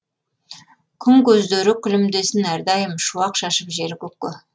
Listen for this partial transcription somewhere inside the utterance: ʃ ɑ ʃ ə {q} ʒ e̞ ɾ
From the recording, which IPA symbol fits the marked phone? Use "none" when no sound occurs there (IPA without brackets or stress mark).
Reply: p